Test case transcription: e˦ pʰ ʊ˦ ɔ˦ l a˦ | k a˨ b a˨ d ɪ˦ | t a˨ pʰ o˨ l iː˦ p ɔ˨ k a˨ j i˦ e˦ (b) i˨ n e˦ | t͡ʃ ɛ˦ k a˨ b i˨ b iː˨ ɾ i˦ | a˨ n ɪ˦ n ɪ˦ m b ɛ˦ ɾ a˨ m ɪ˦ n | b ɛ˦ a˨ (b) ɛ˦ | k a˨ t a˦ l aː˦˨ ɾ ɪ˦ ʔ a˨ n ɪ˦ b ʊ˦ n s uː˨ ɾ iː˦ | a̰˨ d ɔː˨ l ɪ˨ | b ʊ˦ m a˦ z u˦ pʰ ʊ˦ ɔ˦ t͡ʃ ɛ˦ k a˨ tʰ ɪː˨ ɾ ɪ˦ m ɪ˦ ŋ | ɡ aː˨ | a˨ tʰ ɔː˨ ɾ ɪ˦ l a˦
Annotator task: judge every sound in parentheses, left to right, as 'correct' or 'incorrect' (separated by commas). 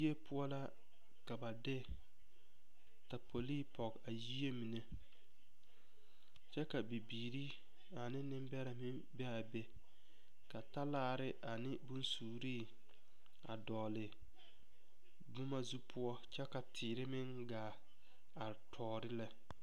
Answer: incorrect, correct